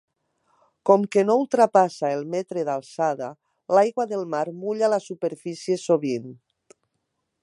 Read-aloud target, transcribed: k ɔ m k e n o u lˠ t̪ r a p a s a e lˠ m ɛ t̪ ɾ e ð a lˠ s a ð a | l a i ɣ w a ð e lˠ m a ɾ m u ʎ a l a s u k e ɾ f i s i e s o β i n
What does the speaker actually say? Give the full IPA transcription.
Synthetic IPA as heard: k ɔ m k e n o u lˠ t̪ ɾ a p a s a e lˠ m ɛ t̪ ɾ e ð a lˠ s a ð a | l a j ɣ w a ð e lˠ m a ɾ m u ʎ a l a s u p e ɾ f i s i e s o β i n